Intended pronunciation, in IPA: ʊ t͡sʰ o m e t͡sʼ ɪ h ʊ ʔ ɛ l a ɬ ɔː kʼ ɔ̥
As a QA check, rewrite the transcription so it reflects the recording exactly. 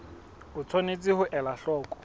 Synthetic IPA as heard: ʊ t͡sʰ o n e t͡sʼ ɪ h ʊ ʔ ɛ l a ɬ ɔː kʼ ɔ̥